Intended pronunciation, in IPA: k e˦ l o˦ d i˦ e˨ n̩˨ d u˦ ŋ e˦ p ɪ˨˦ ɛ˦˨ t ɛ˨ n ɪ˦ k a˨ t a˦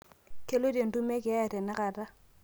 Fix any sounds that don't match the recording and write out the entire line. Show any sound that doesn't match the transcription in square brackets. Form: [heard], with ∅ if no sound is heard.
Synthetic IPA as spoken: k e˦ l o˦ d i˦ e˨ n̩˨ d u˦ [m] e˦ [k] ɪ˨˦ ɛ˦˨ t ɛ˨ n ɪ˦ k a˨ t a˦